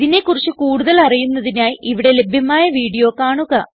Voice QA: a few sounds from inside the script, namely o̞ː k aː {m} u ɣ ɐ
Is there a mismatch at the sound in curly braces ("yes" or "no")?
yes